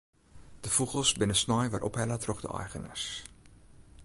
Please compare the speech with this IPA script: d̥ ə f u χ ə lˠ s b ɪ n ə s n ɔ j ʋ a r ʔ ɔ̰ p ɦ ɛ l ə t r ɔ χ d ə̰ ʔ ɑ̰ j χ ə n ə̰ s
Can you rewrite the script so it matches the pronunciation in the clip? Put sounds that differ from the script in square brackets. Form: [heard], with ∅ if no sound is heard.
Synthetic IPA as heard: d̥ ə f u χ ə lˠ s b ɪ n ə s n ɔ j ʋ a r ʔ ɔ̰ p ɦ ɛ l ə t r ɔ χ d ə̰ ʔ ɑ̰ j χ ə n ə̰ s